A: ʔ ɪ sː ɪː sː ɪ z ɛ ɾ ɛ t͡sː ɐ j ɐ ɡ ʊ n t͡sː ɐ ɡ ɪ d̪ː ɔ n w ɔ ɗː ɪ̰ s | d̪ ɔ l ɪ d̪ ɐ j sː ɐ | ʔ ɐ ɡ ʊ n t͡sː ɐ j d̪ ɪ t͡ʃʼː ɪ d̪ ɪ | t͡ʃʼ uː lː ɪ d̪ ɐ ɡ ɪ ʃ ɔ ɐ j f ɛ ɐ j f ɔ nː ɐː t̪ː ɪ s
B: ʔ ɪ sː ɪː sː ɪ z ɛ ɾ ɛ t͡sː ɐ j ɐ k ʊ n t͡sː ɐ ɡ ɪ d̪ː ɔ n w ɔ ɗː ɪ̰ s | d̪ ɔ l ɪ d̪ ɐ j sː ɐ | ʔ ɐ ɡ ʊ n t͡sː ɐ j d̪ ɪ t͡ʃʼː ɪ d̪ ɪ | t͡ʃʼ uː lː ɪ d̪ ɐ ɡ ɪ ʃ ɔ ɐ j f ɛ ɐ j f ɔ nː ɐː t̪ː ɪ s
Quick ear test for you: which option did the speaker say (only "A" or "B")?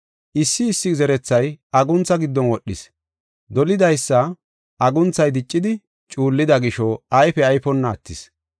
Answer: A